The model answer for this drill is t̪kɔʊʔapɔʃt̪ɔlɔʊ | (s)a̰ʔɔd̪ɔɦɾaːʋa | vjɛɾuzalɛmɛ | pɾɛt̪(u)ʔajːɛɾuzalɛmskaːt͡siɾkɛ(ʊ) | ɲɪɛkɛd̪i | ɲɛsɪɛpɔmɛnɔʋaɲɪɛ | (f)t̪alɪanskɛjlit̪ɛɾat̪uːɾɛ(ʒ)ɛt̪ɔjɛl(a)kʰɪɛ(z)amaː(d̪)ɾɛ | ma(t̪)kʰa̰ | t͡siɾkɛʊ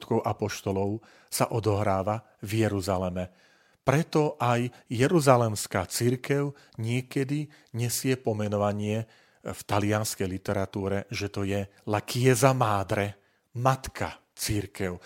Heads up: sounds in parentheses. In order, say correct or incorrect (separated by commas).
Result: correct, incorrect, correct, correct, correct, correct, correct, correct, correct